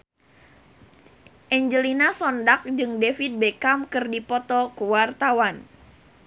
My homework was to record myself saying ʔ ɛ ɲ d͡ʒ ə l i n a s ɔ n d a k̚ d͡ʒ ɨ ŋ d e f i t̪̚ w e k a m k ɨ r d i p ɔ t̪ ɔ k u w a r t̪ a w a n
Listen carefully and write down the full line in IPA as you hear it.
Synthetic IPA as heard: ʔ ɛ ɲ d͡ʒ ə l i n a s ɔ n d a k̚ d͡ʒ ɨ ŋ d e f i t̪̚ b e k a m k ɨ r d i p ɔ t̪ ɔ k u w a r t̪ a w a n